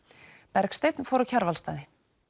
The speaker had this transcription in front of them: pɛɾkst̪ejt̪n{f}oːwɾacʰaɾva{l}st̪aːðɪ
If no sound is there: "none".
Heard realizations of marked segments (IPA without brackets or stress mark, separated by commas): f, l